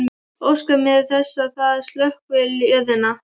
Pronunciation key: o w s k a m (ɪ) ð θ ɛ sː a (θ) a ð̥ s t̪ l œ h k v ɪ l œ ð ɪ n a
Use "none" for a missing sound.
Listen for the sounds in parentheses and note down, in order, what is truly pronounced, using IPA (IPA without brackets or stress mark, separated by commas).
ɪ, θ